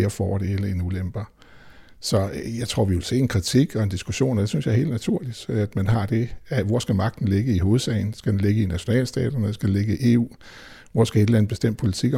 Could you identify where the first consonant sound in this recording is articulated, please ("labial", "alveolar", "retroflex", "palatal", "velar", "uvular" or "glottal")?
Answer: labial